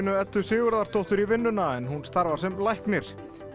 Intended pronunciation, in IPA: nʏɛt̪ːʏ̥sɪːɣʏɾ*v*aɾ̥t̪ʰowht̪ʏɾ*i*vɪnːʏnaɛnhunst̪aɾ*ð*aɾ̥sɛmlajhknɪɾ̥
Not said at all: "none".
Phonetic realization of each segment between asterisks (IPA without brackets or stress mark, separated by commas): ð, i, v